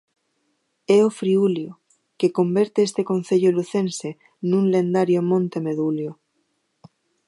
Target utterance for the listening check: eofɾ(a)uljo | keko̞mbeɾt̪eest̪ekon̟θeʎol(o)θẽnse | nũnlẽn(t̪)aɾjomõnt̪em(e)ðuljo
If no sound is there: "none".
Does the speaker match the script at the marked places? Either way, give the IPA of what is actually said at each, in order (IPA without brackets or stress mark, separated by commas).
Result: i, u, d̪, e